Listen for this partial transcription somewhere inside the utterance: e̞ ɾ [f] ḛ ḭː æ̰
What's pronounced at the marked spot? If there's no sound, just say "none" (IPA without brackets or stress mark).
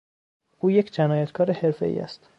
f